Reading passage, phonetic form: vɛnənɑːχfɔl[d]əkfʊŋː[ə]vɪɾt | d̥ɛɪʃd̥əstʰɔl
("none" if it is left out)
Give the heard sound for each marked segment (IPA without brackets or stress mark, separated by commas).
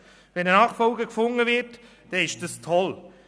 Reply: ɡ, ə